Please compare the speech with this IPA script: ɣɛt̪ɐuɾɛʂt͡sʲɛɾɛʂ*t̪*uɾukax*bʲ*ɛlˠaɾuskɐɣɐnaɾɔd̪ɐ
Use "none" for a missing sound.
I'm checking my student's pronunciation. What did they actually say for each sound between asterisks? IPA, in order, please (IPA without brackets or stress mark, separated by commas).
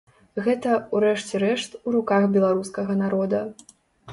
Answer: t̪, bʲ